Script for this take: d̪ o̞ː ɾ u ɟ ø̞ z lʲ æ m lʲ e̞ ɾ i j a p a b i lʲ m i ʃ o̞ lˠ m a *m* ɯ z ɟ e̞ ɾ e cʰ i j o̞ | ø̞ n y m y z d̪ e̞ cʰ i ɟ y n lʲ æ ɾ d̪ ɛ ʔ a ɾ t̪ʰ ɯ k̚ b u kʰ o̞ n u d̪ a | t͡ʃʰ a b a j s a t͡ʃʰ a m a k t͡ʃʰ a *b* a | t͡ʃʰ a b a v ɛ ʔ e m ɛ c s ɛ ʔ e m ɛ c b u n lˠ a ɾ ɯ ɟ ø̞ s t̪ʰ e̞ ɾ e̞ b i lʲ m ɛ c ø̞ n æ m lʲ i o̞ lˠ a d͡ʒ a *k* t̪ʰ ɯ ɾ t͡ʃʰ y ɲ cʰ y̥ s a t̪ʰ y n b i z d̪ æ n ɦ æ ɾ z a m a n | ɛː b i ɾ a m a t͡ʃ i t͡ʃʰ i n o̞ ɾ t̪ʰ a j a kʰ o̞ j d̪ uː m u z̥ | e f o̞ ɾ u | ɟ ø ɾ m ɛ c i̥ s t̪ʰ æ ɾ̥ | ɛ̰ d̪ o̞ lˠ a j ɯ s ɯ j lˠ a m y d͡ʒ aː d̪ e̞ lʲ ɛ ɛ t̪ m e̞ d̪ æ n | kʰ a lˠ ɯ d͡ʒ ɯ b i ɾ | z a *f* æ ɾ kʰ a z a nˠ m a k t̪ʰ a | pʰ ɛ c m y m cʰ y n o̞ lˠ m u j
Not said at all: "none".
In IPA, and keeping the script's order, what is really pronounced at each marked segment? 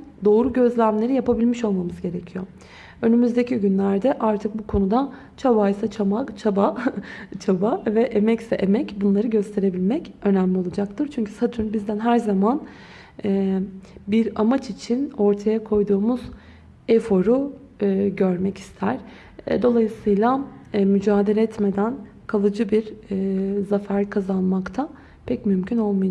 m, b, k, f

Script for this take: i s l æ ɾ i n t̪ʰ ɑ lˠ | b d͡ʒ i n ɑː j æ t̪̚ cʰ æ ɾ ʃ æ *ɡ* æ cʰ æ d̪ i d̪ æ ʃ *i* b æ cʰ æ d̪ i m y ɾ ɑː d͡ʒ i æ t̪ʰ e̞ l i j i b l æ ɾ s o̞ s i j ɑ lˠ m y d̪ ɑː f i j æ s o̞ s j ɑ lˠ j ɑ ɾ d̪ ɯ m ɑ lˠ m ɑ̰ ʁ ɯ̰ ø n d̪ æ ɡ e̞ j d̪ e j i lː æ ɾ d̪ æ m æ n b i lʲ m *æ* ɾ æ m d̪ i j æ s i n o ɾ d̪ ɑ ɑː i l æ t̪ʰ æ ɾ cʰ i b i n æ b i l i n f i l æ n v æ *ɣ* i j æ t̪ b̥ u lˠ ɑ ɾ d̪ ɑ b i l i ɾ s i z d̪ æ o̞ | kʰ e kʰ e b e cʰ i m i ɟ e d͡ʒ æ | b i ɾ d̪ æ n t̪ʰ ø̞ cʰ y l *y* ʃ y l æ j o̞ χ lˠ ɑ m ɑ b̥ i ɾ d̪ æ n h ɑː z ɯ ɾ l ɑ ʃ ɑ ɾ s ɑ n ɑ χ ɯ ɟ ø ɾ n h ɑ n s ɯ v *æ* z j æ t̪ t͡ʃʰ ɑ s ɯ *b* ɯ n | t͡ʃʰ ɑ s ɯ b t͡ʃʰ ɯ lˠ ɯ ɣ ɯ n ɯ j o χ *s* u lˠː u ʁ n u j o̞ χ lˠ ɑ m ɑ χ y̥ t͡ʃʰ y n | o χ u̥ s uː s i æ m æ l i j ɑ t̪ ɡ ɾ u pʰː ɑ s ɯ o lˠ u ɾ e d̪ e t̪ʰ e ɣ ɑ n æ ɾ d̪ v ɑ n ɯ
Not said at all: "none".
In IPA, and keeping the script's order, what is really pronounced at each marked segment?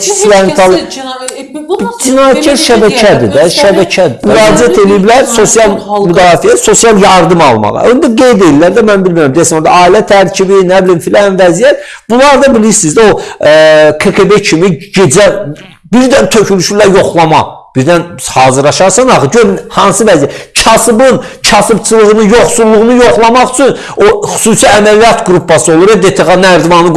b, æ, i, z, y, æ, b, s

